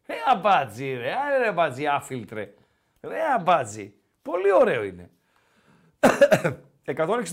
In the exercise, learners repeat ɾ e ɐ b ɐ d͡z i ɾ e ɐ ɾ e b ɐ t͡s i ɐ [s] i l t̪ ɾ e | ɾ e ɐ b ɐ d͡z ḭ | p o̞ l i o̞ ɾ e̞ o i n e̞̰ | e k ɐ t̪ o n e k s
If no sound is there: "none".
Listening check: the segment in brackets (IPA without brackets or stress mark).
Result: f